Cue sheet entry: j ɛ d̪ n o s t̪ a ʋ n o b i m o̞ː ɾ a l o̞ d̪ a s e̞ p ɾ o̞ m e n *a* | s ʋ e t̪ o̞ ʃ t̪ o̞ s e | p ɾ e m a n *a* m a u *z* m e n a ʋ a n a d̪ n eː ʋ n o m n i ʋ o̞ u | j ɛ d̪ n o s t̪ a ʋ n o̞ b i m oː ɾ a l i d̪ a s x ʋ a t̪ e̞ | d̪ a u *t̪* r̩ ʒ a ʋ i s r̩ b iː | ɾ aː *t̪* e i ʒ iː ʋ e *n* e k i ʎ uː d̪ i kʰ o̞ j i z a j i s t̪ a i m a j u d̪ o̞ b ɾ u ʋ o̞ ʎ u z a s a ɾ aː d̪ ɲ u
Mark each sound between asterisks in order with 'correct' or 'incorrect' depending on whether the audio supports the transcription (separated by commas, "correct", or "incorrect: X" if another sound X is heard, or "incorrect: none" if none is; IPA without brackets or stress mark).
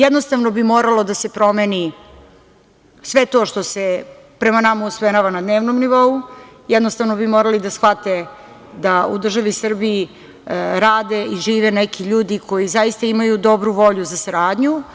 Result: incorrect: i, correct, incorrect: s, incorrect: d̪, incorrect: d̪, correct